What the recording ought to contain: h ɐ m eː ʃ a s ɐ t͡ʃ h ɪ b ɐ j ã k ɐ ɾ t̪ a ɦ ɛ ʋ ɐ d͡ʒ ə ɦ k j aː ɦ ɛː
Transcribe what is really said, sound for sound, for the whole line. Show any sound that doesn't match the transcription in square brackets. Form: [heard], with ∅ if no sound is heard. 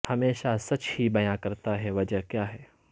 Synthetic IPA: h ɐ m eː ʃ a s ɐ t͡ʃ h [i] b ɐ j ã k ɐ ɾ t̪ a ɦ ɛ ʋ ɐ d͡ʒ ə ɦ k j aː ɦ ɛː

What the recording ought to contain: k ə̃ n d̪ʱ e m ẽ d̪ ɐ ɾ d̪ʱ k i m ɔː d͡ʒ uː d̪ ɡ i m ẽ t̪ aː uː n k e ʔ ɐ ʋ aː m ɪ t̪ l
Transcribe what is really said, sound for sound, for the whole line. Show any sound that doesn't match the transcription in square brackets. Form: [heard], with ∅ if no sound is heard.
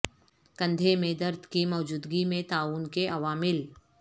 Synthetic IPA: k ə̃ n d̪ʱ e m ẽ d̪ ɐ ɾ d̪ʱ k i m ɔː d͡ʒ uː d̪ ɡ i m ẽ t̪ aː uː n k e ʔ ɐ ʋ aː m ɪ [∅] l

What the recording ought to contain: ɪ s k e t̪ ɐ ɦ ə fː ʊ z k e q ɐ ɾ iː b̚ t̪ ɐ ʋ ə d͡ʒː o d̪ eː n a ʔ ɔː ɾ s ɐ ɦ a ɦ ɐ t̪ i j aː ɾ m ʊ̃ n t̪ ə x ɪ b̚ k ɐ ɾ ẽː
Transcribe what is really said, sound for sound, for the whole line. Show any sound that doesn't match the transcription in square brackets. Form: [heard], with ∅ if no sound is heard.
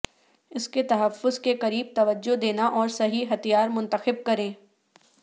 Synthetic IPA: ɪ s k e t̪ ɐ ɦ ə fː ʊ z k e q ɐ ɾ iː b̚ t̪ ɐ ʋ ə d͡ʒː o d̪ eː n a ʔ ɔː ɾ s ɐ ɦ [i] ɦ ɐ t̪ i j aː ɾ m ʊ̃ n t̪ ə x ɪ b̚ k ɐ ɾ ẽː

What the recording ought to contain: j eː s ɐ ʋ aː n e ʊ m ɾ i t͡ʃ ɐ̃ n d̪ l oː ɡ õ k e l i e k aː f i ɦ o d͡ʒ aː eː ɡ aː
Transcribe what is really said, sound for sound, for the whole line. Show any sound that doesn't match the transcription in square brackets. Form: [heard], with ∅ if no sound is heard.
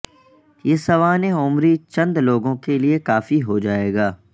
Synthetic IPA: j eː s ɐ ʋ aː n e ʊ m ɾ i t͡ʃ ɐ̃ n d̪ l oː ɡ õ k e l i e k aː f i ɦ o d͡ʒ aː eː ɡ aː

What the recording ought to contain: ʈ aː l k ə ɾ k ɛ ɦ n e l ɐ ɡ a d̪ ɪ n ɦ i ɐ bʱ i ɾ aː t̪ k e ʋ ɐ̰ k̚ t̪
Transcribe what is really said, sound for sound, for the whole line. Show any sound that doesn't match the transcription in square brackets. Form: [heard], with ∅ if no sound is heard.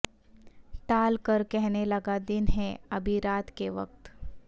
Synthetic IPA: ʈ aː l k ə ɾ k ɛ ɦ n e l ɐ ɡ a d̪ ɪ n ɦ [ɛ] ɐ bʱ i ɾ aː t̪ k e ʋ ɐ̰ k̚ t̪

